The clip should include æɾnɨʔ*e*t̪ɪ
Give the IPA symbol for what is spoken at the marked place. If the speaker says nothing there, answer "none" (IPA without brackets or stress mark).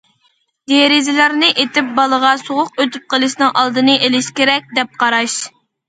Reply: e